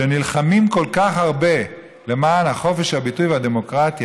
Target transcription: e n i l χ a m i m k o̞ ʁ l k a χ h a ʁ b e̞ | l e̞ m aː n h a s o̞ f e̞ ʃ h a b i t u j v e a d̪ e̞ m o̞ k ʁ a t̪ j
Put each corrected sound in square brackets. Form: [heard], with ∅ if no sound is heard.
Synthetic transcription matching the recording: e n i l χ a m i m k o̞ [∅] l k a χ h a ʁ b e̞ | l e̞ m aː n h a [χ] o̞ f e̞ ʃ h a b i t u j v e a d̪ e̞ m o̞ k ʁ a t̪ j